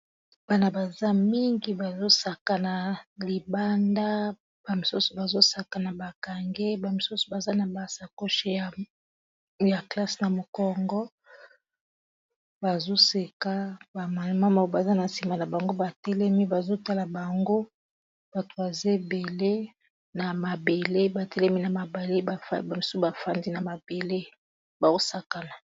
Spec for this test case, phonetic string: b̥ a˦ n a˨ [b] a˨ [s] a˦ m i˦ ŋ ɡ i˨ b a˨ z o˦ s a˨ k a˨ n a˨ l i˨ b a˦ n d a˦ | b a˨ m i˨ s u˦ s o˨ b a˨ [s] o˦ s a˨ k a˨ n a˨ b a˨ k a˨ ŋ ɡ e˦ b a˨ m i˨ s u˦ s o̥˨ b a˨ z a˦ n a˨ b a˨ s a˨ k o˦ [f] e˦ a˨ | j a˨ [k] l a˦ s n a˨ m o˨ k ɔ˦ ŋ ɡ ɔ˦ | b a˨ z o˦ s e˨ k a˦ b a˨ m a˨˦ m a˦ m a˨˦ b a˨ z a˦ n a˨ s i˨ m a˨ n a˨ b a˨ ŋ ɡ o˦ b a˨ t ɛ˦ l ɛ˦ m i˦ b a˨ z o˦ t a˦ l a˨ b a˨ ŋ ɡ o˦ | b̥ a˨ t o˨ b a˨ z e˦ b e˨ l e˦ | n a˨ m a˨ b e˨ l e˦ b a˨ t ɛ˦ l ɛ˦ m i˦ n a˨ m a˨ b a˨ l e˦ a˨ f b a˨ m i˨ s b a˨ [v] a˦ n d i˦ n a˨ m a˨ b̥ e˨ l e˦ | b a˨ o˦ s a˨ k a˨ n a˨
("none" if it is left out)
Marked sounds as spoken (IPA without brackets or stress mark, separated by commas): b, z, z, ʃ, k, f